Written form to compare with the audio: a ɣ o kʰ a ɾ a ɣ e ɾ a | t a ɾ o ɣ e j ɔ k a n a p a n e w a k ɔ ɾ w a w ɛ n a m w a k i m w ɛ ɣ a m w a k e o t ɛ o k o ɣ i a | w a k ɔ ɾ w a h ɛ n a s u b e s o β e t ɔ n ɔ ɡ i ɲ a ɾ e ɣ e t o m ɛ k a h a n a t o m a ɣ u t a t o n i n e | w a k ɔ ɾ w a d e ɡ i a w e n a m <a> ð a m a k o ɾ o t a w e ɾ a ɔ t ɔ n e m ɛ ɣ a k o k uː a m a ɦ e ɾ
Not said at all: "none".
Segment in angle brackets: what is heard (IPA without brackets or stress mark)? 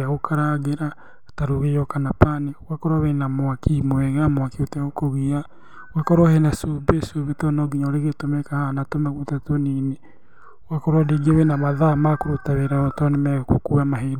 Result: a